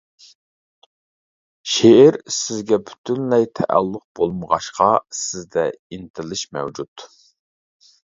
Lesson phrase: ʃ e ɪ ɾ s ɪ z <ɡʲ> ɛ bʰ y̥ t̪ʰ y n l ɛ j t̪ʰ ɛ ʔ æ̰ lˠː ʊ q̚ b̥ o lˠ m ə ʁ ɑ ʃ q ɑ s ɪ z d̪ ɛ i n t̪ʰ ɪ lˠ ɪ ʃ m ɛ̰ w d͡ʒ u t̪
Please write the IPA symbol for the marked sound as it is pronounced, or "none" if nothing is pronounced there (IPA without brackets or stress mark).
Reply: ɡʲ